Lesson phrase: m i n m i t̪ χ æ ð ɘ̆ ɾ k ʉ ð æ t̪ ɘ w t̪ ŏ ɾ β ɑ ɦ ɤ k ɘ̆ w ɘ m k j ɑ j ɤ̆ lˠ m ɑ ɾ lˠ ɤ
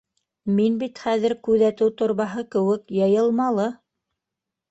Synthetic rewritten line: m i n b i t̪ χ æ ð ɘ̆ ɾ k ʉ ð æ t̪ ɘ w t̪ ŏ ɾ β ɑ ɦ ɤ k ɘ̆ w ɘ k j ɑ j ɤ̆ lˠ m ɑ lˠ ɤ